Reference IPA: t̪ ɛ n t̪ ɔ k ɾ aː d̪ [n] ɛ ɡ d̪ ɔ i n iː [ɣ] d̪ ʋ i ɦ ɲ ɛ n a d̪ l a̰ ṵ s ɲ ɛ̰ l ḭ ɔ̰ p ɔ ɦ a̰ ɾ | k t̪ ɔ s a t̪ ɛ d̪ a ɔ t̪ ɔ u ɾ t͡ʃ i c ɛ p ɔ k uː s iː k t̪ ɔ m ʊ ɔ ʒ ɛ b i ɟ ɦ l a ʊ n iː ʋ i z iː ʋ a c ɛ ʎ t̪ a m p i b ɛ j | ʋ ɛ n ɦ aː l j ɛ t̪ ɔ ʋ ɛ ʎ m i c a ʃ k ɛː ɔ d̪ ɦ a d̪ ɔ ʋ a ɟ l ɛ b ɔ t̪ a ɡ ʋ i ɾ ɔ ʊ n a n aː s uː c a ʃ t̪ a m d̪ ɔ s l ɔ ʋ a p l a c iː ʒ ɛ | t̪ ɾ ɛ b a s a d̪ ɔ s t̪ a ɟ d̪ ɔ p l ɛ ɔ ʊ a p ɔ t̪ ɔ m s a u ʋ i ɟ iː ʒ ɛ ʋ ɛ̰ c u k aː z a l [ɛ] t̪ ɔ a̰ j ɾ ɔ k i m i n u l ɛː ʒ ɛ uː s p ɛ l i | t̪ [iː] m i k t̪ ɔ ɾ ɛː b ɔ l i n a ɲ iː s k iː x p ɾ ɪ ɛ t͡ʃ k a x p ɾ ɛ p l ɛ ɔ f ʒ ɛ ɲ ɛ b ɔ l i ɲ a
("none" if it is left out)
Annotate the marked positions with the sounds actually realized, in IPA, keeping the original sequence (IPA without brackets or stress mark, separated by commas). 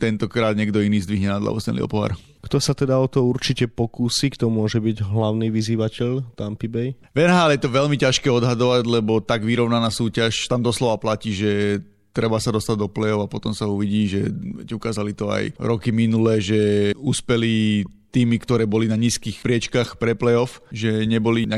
ɲ, z, i, iː